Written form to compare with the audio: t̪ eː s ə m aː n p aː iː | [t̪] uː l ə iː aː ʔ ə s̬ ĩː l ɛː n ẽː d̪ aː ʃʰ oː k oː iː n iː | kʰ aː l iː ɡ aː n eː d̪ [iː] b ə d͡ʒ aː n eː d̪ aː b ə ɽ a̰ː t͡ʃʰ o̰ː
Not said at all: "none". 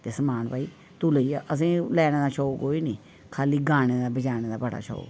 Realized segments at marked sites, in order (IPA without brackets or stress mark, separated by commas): t̪, aː